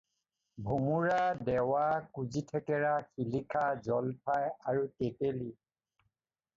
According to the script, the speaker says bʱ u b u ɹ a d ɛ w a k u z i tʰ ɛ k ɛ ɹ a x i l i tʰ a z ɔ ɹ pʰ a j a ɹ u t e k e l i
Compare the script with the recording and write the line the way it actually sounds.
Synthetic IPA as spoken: bʱ u m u ɹ a d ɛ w a k u z i tʰ ɛ k ɛ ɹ a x i l i kʰ a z ɔ l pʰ a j a ɹ u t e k e l i